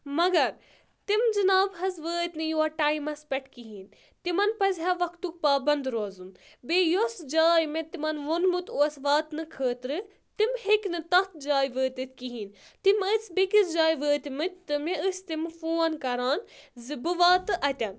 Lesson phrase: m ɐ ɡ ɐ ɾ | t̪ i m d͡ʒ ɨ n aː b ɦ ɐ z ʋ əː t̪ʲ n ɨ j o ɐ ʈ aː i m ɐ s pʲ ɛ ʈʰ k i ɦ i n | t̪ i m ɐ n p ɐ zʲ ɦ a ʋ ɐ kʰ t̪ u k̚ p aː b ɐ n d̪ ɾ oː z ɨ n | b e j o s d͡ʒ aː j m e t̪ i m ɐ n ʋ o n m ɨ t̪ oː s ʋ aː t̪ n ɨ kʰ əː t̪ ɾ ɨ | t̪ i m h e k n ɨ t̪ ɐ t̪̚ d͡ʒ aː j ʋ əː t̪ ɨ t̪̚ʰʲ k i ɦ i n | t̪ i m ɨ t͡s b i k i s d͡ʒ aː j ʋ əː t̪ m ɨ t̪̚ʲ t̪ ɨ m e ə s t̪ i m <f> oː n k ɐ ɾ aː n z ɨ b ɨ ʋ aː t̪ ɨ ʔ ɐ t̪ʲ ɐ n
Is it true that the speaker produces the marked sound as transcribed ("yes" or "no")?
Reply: yes